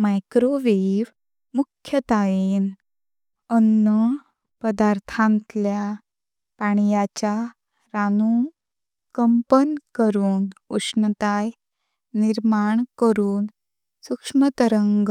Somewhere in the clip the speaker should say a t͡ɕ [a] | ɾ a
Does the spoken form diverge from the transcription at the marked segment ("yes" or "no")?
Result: no